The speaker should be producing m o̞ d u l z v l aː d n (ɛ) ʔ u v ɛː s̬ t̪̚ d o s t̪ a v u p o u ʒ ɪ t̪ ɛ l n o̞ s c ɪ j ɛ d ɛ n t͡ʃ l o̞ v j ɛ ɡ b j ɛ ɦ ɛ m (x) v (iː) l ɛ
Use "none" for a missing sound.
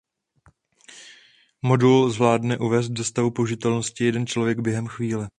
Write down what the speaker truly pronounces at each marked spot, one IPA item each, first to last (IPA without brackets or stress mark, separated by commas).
ɛ, x, iː